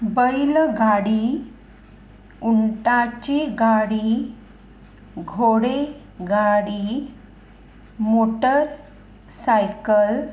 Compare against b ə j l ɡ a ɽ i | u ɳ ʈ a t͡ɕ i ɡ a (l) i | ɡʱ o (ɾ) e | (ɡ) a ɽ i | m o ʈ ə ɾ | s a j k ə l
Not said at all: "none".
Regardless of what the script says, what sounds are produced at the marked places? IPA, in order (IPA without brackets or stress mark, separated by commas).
ɽ, ɽ, ɡ